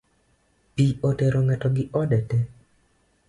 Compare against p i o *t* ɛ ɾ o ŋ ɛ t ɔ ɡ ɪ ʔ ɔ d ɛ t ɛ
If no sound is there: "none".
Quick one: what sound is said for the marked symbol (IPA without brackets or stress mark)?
t